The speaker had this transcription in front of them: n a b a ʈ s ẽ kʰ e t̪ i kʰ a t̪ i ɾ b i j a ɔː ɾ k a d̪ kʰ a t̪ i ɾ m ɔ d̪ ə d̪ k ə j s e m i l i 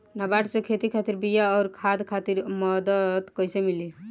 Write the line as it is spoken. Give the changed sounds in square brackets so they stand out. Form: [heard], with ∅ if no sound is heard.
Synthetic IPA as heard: n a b a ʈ s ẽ kʰ e t̪ i kʰ a t̪ i ɾ b i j a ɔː ɾ [kʰ] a d̪ kʰ a t̪ i ɾ m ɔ d̪ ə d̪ k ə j s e m i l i

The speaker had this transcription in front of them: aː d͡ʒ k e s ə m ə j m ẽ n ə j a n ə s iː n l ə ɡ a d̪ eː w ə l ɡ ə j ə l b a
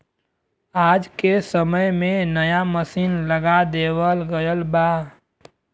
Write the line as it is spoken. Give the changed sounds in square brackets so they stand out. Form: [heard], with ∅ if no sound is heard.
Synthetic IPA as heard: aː d͡ʒ k e s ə m ə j m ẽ n ə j a [m] ə s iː n l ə ɡ a d̪ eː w ə l ɡ ə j ə l b a

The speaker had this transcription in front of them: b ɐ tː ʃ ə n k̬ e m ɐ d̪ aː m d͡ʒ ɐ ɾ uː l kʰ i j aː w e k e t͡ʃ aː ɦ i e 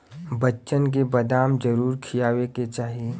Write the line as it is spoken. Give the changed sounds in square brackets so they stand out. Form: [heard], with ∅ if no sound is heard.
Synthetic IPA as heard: b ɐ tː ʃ ə n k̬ e [b] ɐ d̪ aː m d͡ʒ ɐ ɾ uː [ɾ] kʰ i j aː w e k e t͡ʃ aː ɦ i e

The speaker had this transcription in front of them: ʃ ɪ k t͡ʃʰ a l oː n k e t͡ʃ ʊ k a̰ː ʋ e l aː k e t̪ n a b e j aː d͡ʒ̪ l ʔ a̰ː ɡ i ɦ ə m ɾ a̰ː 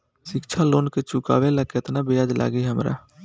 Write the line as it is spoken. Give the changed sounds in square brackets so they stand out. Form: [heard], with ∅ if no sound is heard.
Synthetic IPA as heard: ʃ ɪ k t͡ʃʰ a l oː n k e t͡ʃ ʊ k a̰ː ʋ e l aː k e t̪ n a b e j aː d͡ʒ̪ l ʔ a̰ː ɡ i ɦ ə m ɾ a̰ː

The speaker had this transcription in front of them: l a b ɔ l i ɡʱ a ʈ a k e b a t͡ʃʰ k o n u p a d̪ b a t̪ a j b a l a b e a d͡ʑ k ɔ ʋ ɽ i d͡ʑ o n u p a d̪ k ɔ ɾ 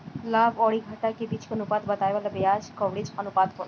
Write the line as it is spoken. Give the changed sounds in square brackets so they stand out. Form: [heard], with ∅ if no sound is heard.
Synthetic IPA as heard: l a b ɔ [ɽ] i ɡʱ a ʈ a k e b [i] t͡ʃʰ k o n u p a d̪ b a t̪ a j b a l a b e a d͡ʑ k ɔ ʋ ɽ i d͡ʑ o n u p a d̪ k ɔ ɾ

